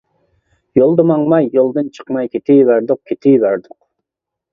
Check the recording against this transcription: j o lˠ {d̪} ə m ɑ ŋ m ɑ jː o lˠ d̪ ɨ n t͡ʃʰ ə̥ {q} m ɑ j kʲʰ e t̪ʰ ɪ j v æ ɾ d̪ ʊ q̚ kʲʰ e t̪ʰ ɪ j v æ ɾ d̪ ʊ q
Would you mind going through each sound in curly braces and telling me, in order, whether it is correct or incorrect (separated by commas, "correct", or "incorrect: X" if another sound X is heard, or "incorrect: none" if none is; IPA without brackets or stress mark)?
correct, correct